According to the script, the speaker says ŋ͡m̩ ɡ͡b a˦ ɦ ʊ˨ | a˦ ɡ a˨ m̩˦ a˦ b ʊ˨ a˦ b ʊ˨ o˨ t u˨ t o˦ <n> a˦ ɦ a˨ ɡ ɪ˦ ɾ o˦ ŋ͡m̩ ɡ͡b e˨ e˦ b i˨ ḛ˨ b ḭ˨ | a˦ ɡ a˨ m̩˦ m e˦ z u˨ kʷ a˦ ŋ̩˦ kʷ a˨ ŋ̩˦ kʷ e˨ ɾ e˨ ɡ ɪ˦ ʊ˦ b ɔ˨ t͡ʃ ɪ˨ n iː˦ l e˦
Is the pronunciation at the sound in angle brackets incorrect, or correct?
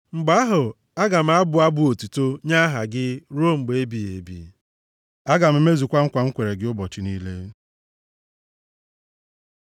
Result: incorrect